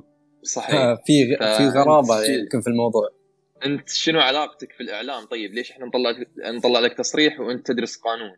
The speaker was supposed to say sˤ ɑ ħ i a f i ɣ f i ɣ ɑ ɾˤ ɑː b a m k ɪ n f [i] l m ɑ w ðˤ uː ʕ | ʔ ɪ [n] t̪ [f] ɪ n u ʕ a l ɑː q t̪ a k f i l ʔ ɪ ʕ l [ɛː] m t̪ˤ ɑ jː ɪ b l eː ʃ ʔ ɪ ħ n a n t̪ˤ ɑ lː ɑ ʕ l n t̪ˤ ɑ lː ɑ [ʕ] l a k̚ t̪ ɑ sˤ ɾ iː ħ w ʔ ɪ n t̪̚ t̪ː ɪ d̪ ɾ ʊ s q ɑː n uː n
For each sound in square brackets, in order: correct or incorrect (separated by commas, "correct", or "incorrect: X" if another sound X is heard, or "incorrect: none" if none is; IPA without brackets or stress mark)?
correct, correct, incorrect: ʃ, incorrect: aː, correct